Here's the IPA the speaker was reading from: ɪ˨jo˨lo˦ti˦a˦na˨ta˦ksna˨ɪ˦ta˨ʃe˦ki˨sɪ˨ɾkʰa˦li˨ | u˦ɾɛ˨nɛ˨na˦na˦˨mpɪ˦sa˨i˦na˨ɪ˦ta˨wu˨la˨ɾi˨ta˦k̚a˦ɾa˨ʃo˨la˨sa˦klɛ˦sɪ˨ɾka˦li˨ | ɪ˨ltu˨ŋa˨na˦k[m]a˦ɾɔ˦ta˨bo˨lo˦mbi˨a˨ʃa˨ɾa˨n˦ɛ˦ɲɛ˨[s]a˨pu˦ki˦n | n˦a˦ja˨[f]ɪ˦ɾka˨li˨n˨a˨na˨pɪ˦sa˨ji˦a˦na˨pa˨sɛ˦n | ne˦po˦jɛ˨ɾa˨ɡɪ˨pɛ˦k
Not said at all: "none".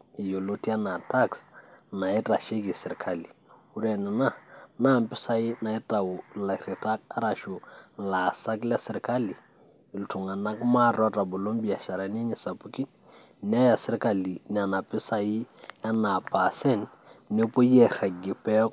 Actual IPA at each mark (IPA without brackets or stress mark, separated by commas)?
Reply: m, s, s